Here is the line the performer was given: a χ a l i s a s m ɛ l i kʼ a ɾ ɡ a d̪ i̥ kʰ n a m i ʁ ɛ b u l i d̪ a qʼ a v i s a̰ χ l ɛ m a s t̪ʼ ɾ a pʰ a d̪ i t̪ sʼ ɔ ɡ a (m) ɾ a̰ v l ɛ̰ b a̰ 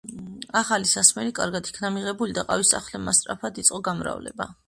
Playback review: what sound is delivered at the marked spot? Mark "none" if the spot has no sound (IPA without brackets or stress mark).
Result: m